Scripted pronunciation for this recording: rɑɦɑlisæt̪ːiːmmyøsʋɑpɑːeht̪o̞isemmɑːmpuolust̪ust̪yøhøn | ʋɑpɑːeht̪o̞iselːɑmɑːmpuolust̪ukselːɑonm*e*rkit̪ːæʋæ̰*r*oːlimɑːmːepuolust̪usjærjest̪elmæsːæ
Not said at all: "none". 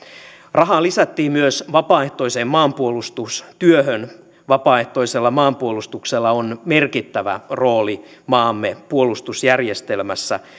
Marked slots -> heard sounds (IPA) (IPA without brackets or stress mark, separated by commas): e, r